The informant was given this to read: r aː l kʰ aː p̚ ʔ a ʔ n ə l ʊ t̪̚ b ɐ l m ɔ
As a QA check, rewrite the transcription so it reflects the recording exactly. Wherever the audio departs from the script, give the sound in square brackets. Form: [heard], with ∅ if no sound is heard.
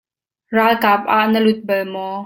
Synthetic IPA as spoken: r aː l [k] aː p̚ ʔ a ʔ n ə l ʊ t̪̚ b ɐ l m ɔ